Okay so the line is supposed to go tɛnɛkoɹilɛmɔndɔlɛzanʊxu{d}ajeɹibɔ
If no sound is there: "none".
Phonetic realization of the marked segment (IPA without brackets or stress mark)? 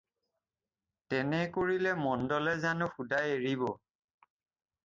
d